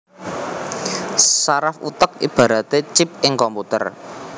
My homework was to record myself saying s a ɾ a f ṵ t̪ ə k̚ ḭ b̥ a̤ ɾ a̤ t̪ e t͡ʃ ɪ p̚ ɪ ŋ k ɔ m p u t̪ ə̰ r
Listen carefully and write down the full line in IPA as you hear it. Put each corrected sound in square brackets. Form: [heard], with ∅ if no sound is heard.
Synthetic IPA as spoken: s a ɾ a f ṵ t̪ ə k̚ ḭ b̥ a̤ ɾ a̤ t̪ e t͡ʃ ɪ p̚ ɪ ŋ k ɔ m p u t̪ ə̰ r